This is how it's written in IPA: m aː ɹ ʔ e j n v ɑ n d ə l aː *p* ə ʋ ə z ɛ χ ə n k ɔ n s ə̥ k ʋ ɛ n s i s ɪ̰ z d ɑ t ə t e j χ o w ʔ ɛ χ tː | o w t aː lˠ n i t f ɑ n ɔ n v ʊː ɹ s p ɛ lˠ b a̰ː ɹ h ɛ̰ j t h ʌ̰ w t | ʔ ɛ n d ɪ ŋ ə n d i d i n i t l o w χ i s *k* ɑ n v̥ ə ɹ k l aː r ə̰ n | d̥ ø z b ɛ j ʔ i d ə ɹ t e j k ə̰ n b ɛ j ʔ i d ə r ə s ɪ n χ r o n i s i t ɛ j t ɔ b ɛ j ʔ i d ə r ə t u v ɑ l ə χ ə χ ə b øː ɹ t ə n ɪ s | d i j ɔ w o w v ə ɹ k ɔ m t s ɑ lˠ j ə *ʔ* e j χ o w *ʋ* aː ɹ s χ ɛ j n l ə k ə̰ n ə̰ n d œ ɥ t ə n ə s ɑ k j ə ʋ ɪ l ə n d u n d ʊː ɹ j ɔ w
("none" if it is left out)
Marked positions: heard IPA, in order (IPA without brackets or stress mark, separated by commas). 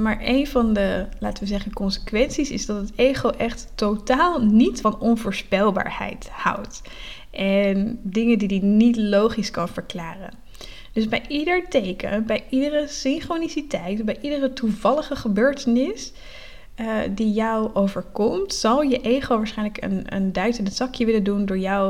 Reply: t, k, ʔ, ʋ